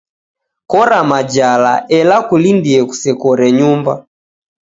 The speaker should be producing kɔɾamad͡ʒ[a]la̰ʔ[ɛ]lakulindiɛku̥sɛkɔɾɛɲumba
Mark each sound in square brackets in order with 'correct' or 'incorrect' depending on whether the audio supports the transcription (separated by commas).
correct, correct